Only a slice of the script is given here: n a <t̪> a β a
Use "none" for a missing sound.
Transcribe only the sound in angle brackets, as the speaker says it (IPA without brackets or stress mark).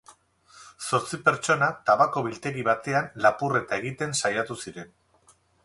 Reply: t̪